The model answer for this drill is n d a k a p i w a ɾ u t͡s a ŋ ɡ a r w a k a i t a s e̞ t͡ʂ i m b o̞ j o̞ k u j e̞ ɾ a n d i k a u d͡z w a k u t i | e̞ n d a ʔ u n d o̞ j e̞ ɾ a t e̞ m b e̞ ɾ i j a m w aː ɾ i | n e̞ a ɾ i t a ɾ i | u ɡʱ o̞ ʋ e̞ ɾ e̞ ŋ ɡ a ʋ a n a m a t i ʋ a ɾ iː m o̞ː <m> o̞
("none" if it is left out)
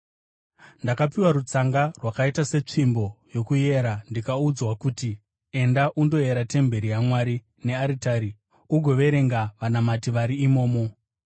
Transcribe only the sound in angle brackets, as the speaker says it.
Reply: m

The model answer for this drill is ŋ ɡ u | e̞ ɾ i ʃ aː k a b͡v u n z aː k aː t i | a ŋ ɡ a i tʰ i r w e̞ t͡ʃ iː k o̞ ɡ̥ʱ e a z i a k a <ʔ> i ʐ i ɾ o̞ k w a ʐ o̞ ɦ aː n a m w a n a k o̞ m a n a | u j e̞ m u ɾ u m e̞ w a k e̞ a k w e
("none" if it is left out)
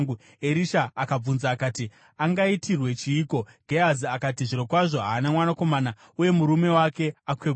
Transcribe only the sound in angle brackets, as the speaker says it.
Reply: t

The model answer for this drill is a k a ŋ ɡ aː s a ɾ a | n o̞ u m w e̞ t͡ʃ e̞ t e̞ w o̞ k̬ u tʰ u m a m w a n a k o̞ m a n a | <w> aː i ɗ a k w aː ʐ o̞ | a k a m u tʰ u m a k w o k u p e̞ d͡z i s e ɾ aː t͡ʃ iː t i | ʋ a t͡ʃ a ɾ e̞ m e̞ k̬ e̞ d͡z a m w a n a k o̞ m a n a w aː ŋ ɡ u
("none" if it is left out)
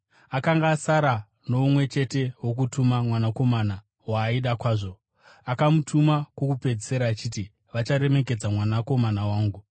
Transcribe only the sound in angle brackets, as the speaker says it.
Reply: w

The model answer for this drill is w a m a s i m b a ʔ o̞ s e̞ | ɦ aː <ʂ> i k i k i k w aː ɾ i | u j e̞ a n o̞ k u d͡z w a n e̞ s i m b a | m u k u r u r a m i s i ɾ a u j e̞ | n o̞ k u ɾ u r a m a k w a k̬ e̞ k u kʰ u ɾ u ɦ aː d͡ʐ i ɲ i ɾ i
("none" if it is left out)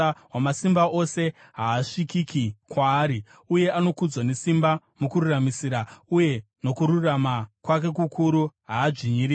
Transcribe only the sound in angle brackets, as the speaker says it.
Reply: ʂ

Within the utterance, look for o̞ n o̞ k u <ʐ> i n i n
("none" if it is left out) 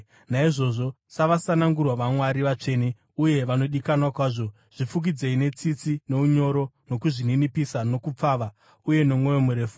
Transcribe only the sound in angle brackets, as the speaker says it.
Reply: ʐ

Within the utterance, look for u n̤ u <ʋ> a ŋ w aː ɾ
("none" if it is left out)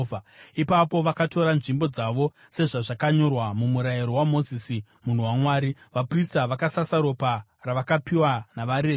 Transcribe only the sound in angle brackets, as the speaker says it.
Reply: w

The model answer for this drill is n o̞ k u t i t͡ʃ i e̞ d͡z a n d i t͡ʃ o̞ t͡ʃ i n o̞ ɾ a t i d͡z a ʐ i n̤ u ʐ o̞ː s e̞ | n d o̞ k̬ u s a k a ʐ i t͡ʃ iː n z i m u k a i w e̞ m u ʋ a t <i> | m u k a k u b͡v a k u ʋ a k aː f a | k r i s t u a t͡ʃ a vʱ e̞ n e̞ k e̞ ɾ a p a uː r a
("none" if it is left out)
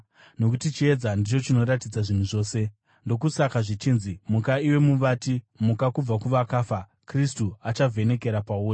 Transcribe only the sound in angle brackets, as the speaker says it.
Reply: i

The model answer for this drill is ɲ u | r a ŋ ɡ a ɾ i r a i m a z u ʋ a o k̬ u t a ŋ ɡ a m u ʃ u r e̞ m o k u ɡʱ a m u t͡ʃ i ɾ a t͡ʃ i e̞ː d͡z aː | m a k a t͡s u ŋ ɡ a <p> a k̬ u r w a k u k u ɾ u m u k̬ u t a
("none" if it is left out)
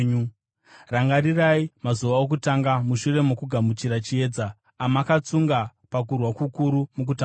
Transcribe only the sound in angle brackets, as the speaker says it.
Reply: p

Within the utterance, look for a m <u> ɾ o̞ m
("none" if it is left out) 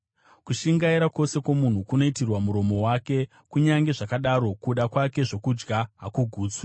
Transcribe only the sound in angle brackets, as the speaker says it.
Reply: u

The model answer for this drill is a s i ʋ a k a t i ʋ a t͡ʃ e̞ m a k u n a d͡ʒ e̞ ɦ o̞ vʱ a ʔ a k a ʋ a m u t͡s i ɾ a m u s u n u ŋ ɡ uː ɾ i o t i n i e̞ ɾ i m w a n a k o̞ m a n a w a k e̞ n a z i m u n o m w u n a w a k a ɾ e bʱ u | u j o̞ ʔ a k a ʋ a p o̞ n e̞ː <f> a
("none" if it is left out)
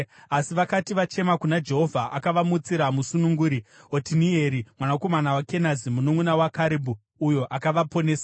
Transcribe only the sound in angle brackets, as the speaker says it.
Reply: s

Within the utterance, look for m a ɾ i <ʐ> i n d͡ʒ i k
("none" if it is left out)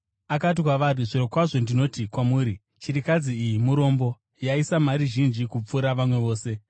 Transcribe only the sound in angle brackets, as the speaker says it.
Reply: ʒ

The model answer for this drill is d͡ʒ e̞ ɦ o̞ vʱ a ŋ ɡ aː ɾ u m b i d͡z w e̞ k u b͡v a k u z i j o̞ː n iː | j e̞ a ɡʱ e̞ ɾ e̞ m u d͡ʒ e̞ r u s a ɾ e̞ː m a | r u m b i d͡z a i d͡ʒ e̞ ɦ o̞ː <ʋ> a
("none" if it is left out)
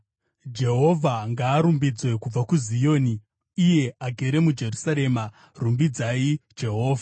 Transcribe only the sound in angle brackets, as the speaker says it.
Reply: v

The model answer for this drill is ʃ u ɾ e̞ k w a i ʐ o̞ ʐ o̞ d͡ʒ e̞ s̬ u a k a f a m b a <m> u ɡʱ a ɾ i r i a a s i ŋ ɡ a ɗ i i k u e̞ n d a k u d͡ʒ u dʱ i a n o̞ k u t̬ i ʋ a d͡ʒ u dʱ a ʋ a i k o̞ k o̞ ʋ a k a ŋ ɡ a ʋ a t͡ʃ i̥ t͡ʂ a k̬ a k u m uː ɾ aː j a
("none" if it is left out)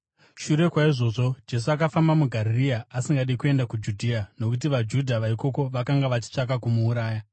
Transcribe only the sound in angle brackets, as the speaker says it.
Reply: m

